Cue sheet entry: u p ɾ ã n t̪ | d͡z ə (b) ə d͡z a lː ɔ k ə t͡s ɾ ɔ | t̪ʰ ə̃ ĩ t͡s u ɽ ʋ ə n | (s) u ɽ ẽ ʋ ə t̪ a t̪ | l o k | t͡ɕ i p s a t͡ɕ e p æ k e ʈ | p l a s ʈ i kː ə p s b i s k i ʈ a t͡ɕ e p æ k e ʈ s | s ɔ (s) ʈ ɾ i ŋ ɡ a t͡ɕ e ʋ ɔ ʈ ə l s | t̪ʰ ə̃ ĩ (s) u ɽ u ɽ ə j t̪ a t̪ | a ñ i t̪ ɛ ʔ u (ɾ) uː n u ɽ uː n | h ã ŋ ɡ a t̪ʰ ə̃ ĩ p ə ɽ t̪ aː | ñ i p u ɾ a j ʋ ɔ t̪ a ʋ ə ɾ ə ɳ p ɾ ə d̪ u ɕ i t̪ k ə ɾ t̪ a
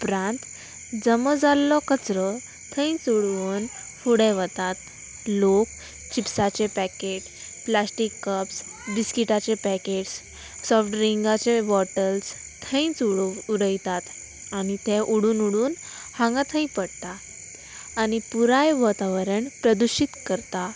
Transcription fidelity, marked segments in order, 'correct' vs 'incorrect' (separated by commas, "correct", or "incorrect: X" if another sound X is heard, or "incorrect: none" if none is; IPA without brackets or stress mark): incorrect: m, incorrect: f, incorrect: f, incorrect: t͡s, incorrect: ɽ